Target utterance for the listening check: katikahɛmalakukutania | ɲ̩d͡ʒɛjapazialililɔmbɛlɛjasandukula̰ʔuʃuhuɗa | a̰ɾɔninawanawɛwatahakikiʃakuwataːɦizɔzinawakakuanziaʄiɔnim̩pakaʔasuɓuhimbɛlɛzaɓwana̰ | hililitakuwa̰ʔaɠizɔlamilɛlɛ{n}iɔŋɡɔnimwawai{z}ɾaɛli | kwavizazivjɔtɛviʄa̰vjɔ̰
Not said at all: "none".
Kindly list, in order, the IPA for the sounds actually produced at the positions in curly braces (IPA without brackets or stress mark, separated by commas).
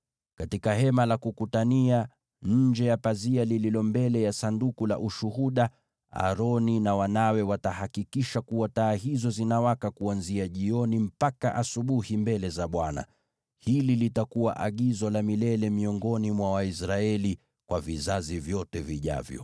m, s